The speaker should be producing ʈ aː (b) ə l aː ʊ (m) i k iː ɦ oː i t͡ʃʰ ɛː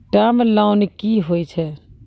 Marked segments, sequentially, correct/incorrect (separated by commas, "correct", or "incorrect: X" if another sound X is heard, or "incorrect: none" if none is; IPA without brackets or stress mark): incorrect: m, incorrect: n